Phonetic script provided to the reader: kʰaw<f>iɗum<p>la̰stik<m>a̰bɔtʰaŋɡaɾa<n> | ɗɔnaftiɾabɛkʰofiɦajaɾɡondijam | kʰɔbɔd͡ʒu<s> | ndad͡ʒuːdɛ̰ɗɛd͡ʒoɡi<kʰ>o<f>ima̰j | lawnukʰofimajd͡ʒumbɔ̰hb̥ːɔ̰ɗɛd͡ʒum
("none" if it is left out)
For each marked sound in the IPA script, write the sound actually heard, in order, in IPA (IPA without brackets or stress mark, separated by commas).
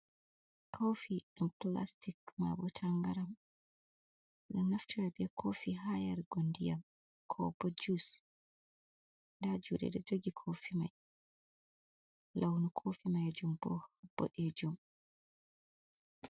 f, p, m, m, s, kʰ, f